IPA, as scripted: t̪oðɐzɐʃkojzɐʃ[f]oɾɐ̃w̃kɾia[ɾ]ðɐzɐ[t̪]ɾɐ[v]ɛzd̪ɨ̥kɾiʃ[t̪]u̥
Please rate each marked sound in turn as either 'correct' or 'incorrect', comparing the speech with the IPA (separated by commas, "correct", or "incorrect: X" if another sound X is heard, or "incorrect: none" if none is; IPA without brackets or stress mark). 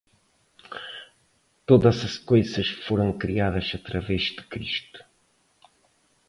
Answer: correct, incorrect: none, correct, correct, correct